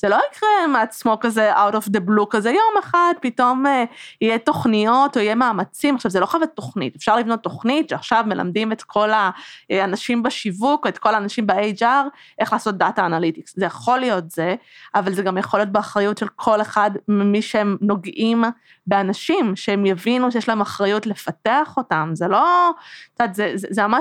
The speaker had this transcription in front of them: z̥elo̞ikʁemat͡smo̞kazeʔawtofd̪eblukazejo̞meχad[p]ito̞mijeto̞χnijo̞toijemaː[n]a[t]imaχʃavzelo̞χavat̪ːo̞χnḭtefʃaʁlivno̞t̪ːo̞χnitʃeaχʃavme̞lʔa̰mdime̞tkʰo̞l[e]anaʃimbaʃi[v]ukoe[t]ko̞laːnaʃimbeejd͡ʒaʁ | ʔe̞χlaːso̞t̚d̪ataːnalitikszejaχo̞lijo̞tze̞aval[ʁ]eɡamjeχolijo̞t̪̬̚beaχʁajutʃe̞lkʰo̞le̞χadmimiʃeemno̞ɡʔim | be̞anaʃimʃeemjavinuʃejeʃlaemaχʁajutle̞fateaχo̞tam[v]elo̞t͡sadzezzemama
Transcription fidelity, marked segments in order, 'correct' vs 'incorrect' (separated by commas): correct, incorrect, incorrect, incorrect, correct, correct, incorrect, incorrect